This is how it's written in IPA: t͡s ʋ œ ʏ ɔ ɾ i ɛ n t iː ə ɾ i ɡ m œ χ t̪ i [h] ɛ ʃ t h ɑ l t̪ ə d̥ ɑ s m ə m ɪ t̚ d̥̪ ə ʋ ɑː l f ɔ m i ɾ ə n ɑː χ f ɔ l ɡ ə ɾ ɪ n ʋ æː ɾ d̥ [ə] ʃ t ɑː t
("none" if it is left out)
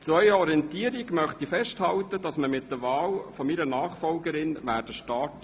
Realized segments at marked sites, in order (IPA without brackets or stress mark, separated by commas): f, ə